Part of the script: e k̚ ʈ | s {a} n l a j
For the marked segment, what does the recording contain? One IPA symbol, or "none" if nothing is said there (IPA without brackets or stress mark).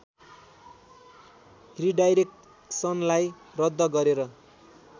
ʌ